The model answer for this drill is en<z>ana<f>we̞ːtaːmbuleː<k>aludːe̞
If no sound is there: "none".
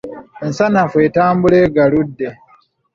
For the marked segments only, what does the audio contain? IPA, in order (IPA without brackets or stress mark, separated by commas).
s, f, ɡ